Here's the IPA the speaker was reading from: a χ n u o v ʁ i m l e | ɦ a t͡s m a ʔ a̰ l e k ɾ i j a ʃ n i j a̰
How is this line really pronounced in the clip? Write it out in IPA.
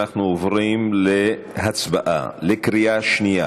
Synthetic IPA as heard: a χ n u o v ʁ i m l e | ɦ a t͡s b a ʔ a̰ l e k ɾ i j a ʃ n i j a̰